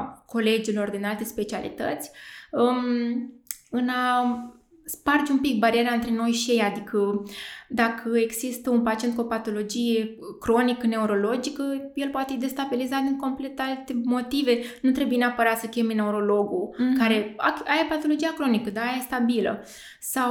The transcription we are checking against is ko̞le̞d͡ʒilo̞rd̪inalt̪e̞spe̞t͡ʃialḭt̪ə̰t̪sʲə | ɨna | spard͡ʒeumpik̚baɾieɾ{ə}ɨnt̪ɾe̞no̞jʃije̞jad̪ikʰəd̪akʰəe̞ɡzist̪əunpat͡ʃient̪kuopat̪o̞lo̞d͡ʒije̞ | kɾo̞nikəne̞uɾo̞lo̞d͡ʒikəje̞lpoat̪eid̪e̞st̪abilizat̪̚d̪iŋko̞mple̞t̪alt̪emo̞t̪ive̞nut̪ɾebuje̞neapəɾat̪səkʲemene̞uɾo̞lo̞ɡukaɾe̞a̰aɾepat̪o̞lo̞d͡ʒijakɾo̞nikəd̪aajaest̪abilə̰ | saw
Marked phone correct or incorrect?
incorrect